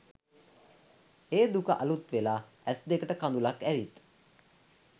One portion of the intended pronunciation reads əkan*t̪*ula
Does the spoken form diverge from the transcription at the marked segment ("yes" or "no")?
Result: yes